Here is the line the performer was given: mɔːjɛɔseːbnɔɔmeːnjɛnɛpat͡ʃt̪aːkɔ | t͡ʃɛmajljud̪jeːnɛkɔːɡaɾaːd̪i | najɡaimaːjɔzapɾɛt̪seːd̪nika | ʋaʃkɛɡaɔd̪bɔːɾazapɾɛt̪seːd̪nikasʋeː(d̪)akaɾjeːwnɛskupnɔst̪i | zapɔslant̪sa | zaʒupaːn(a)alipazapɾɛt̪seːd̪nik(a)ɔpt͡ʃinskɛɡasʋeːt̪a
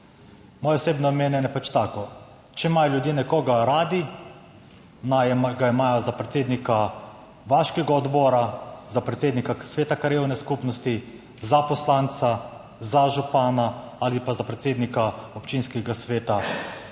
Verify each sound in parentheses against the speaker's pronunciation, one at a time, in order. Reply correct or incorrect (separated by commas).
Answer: incorrect, correct, correct